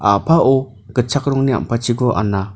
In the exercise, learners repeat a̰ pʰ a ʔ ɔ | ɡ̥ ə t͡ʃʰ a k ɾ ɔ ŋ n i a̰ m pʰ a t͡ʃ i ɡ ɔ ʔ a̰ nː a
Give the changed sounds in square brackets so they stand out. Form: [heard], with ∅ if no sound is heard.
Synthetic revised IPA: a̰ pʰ a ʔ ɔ | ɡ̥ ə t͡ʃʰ a k ɾ ɔ ŋ n i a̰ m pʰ a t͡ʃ i ɡ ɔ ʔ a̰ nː a